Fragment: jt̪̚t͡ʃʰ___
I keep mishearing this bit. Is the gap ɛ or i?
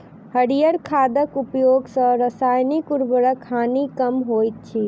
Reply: i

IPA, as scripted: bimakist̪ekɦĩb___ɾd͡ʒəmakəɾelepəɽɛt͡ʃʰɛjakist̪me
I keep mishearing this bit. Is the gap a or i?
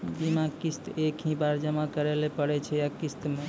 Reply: a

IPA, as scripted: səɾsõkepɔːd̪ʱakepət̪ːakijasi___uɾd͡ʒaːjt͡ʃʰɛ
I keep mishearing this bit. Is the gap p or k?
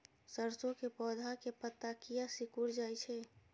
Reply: k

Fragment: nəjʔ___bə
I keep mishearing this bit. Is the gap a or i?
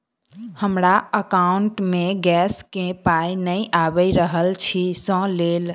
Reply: a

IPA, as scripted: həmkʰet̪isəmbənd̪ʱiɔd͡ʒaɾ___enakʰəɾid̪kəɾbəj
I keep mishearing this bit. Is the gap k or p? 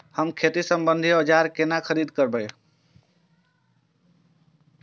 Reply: k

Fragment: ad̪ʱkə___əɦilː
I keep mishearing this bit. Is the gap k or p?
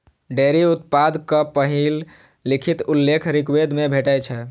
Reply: p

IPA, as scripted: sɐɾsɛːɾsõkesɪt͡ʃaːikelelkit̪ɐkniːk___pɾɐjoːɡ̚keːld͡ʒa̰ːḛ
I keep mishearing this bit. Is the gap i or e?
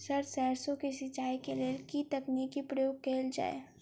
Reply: i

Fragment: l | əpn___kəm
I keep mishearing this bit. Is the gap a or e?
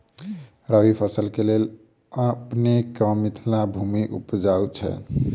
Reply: e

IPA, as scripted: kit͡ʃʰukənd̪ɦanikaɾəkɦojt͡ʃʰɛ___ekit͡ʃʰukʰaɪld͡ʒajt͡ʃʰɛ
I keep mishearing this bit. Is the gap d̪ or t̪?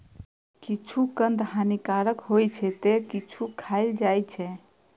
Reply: t̪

